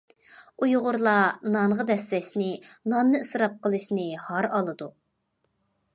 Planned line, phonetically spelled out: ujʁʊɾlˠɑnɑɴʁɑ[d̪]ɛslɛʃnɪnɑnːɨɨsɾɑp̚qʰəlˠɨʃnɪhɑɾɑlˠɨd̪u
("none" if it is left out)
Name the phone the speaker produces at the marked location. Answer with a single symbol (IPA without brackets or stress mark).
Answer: d̪